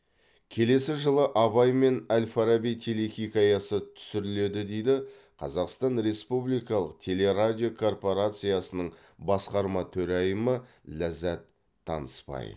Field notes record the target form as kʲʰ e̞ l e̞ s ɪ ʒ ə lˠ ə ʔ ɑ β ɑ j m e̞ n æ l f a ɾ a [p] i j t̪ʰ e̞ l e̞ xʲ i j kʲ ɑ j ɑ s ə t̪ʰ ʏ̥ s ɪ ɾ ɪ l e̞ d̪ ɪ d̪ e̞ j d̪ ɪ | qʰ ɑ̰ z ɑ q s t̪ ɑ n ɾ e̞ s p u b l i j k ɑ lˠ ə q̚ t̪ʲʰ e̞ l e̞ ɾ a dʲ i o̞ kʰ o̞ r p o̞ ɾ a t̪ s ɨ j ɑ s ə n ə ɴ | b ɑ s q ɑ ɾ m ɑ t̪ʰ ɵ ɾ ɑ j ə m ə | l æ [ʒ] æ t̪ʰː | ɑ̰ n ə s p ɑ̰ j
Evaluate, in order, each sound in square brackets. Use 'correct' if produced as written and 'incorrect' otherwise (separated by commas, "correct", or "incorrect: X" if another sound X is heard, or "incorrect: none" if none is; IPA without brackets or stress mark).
incorrect: b, incorrect: z